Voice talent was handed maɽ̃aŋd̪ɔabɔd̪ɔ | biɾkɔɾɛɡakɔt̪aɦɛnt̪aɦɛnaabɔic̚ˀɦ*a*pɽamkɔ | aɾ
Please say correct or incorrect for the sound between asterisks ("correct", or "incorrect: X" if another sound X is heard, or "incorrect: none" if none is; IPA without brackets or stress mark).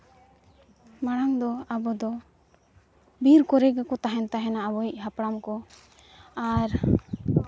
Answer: correct